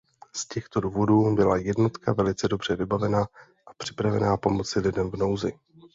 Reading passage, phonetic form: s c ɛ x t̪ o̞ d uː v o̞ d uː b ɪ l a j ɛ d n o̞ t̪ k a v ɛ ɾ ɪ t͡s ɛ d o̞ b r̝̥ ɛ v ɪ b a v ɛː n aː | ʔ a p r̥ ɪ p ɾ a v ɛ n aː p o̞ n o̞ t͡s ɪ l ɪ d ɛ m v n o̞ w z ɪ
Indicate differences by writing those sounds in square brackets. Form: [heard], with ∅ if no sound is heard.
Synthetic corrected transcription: s c ɛ x t̪ o̞ d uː v o̞ d uː b ɪ l a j ɛ d n o̞ t̪ k a v ɛ [l] ɪ t͡s ɛ d o̞ b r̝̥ ɛ v ɪ b a v [ɛ] n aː | ʔ a p r̥ ɪ p ɾ a v ɛ n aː p o̞ [m] o̞ t͡s ɪ l ɪ d ɛ m v n o̞ w z ɪ